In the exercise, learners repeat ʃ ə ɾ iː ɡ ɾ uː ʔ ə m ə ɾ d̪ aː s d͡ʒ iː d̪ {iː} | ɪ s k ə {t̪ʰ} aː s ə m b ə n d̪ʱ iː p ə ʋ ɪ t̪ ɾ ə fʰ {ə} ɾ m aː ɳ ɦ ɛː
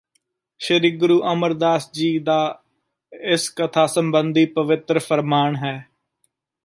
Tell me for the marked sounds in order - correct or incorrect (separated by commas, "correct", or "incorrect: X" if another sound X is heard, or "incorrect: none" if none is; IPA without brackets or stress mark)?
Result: incorrect: aː, correct, correct